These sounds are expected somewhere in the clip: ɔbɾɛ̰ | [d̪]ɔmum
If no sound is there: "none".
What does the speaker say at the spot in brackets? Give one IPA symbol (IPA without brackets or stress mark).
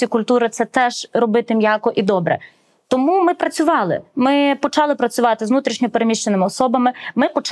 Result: t̪